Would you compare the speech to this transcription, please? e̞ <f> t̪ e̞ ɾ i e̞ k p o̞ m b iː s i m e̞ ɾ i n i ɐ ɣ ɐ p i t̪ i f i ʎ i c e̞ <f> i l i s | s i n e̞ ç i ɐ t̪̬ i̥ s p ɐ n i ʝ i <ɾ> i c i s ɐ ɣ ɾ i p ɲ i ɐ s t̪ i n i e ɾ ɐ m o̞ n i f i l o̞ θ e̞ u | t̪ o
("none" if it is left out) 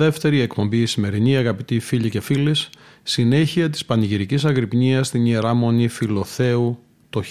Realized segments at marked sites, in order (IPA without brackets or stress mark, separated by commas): f, f, ɾ